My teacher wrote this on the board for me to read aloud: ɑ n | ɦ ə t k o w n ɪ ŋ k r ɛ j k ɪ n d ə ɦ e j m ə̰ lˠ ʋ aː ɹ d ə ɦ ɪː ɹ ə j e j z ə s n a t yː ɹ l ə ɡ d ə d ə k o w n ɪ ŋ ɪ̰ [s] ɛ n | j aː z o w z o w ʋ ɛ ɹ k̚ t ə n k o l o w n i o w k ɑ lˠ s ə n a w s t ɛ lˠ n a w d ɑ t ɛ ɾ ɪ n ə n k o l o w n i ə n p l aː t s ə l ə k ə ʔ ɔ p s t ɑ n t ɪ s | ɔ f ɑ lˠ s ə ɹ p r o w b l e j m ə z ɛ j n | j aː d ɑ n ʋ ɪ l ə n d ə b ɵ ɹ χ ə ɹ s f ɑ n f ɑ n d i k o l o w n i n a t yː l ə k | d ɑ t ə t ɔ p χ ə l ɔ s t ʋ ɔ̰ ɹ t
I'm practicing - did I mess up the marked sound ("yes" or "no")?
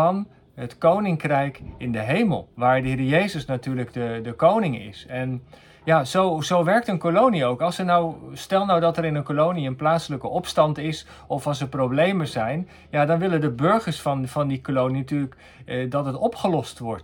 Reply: no